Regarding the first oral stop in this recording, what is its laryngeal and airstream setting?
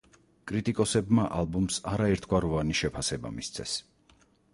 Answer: ejective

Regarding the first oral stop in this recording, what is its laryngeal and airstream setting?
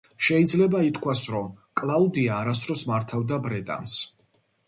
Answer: plain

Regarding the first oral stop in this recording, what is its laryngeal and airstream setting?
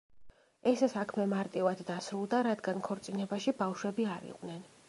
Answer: aspirated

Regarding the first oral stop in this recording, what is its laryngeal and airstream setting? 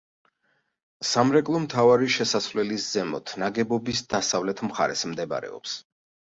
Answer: ejective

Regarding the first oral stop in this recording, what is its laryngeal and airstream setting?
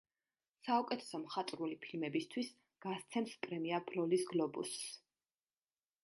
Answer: ejective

